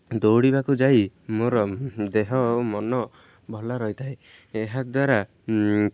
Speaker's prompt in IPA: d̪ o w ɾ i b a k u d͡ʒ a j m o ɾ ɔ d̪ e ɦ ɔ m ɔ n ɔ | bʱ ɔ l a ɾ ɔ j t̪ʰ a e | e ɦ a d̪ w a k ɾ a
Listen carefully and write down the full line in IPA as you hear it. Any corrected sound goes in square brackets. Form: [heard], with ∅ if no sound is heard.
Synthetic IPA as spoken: d̪ o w [ɽ] i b a k u d͡ʒ a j m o ɾ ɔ d̪ e ɦ ɔ m ɔ n ɔ | bʱ ɔ l a ɾ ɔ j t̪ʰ a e | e ɦ a d̪ w a [∅] ɾ a